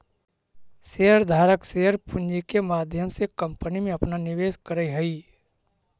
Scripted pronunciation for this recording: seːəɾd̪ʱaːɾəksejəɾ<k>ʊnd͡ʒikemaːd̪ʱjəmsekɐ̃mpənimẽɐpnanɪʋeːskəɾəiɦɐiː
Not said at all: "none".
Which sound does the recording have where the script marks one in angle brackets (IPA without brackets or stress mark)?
p